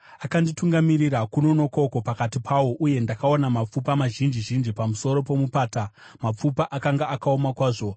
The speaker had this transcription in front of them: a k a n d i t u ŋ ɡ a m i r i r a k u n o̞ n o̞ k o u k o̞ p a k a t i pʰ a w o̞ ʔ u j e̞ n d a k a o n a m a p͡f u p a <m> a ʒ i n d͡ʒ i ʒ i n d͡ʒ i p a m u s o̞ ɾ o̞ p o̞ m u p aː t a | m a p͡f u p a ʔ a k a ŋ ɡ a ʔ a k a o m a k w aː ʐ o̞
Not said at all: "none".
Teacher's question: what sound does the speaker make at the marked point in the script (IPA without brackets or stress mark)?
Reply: m